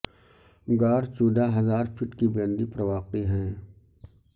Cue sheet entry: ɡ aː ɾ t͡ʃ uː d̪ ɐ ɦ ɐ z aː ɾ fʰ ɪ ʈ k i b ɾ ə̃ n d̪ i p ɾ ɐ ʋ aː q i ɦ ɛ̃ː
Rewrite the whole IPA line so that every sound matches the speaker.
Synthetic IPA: ɡ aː ɾ t͡ʃ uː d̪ a ɦ ɐ z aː ɾ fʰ ɪ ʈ k i b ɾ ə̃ n d̪ i p ɾ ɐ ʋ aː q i ɦ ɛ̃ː